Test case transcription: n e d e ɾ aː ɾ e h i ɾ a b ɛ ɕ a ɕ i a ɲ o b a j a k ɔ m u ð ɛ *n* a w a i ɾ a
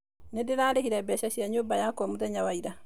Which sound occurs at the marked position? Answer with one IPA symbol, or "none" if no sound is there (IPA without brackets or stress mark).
ɲ